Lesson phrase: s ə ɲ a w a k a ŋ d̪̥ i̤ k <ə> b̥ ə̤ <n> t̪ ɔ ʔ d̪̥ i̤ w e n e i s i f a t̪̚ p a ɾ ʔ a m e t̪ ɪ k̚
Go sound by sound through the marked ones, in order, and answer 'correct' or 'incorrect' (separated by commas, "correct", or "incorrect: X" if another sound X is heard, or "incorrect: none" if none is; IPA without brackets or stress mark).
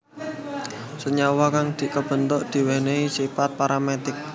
correct, correct